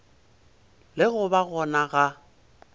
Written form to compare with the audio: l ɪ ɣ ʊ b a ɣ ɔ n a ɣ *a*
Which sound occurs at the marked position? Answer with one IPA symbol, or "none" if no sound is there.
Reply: a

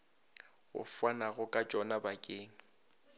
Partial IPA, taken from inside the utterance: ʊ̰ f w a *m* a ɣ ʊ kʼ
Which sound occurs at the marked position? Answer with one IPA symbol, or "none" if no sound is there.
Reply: n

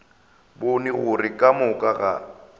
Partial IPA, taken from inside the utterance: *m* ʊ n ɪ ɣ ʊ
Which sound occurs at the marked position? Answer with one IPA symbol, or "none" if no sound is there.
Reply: b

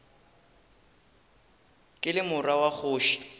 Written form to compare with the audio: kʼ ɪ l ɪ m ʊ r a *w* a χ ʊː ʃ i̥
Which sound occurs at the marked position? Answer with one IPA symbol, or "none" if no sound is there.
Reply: w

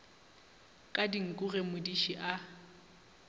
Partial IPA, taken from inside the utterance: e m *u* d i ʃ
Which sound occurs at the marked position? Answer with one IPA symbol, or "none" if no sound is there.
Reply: ʊ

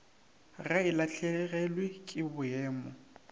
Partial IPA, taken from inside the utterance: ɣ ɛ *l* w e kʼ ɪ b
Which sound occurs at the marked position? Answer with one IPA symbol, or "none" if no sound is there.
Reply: l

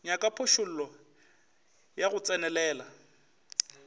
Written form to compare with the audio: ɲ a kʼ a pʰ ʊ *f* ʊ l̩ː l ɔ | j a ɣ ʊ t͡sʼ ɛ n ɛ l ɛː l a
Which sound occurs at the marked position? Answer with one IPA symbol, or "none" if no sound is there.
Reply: ʃ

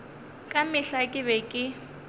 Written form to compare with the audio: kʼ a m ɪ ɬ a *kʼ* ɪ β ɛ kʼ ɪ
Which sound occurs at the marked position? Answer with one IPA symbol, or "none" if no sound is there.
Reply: kʼ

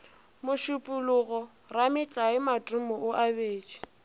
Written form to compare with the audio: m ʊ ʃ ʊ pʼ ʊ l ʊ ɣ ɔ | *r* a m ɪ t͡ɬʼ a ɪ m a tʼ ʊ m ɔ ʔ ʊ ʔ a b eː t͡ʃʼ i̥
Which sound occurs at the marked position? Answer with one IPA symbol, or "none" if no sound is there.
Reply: r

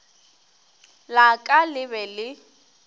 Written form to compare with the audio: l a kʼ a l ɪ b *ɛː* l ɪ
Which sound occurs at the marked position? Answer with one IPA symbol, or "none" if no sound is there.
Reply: ɛ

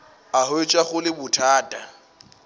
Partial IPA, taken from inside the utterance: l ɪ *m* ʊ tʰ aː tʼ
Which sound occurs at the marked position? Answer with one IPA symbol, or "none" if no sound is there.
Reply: b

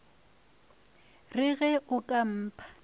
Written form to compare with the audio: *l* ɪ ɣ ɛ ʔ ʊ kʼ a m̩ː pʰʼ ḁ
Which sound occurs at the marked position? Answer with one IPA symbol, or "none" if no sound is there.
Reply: r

